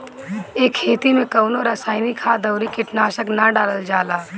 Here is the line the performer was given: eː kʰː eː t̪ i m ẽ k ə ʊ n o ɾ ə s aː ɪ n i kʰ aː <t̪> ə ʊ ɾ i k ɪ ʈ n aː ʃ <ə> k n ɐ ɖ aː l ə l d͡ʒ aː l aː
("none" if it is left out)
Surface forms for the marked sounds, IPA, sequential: d̪, ə

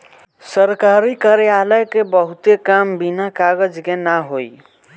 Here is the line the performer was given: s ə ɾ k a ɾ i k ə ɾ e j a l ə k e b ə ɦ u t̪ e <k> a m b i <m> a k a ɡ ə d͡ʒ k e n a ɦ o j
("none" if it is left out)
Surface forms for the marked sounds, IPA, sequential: k, n

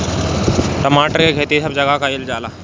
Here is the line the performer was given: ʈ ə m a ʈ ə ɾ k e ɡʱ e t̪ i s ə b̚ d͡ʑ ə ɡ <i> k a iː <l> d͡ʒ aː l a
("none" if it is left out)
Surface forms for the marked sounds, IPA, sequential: a, l

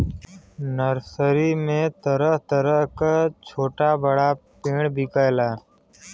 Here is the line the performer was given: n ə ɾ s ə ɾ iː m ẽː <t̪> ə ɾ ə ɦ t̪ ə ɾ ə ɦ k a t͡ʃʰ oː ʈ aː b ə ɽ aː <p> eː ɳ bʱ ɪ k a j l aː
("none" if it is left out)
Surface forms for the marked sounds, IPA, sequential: t̪, p

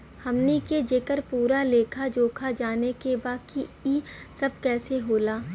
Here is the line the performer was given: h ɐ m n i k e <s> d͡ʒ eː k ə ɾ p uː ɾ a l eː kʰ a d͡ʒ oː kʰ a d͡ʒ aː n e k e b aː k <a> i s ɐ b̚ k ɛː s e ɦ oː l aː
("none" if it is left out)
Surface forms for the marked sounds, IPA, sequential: none, i

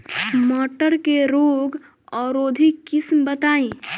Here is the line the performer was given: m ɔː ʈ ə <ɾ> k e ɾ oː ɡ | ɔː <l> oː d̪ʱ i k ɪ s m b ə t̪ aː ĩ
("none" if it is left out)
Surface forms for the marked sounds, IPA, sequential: ɾ, ɾ

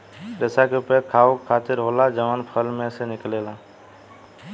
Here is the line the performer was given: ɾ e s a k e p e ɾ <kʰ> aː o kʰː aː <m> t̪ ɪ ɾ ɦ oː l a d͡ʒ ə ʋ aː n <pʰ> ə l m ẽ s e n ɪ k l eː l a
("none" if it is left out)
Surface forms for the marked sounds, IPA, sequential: kʰ, none, pʰ

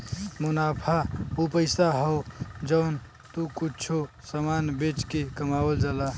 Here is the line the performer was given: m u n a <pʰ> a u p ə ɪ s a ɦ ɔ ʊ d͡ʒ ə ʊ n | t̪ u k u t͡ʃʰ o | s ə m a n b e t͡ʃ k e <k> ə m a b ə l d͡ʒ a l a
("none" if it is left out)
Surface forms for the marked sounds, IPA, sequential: pʰ, k

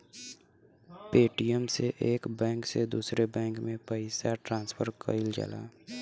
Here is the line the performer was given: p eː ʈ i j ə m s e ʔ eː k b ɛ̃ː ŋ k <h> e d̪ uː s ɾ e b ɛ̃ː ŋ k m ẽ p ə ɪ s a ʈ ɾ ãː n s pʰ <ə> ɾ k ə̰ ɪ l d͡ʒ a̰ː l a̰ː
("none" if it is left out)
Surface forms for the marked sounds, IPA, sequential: s, ə

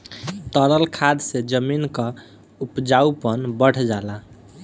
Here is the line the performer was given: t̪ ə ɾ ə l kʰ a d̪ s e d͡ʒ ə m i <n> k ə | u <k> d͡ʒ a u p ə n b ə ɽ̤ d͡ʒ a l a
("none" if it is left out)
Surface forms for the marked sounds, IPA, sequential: n, p

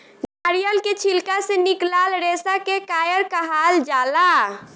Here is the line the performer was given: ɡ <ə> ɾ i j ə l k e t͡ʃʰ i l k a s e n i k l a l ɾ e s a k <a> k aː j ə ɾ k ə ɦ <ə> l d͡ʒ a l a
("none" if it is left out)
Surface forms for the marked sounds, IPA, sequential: a, e, a

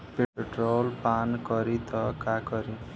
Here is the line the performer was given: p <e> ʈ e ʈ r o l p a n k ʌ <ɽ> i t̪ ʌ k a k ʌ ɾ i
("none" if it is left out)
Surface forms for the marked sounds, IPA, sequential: e, ɾ

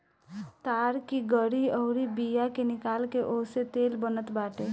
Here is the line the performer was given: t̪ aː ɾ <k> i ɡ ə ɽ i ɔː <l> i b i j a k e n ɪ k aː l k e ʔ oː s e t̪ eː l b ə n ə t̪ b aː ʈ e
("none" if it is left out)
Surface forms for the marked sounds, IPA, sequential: k, ɾ

